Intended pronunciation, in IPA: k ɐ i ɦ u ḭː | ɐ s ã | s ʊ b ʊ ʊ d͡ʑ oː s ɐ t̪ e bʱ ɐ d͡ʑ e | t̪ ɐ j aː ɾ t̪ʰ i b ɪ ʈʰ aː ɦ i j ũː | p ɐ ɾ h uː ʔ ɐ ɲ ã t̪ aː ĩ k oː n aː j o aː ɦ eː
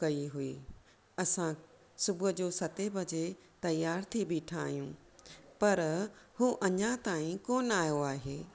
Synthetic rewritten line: k ɐ i ɦ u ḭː | ɐ s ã | s ʊ b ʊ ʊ d͡ʑ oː s ɐ t̪ e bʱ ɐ d͡ʑ e | t̪ ɐ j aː ɾ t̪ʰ i b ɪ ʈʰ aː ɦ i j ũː | p ɐ ɾ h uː ʔ ɐ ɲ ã t̪ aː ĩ k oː n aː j o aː ɦ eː